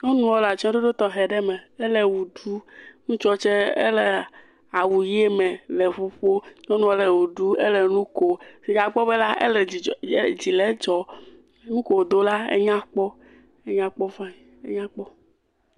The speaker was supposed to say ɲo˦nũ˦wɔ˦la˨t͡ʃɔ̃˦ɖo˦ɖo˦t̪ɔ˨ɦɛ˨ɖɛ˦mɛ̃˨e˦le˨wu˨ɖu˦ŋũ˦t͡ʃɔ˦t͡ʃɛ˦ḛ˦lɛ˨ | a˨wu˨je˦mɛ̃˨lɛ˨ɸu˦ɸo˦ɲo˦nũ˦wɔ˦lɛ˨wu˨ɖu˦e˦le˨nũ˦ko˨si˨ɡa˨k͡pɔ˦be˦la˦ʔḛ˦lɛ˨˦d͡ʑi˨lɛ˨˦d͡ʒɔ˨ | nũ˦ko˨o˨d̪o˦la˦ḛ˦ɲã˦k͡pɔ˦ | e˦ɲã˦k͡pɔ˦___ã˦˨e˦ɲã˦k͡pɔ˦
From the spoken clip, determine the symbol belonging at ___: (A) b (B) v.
B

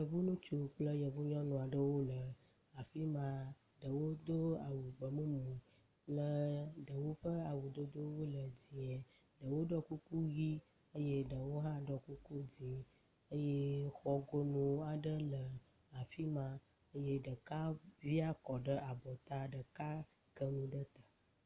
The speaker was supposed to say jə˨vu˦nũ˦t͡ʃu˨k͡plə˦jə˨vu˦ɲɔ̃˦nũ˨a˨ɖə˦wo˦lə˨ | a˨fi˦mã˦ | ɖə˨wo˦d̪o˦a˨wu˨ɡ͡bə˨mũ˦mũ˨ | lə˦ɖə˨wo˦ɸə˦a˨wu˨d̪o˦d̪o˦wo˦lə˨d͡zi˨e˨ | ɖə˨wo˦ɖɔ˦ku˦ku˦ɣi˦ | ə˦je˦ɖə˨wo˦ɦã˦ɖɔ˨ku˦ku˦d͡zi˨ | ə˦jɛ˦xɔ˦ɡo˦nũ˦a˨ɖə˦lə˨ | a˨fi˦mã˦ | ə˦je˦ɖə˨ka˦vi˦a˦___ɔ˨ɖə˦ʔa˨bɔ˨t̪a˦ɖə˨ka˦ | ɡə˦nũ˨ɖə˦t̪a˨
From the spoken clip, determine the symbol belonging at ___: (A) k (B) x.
A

